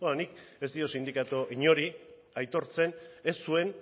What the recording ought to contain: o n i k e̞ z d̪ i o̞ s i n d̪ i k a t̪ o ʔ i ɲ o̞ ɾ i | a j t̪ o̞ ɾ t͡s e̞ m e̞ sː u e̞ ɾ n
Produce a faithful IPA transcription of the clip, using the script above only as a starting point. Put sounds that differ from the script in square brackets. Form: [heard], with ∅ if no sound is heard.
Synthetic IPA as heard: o n i k e̞ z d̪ i o̞ s i n d̪ i k a t̪ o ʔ i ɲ o̞ ɾ i | a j t̪ o̞ ɾ t͡s e̞ [n] e̞ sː u e̞ [∅] n